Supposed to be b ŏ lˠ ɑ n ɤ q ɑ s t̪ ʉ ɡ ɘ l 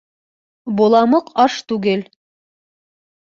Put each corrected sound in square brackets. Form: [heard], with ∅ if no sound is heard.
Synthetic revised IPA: b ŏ lˠ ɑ [m] ɤ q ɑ [ʃ] t̪ ʉ ɡ ɘ l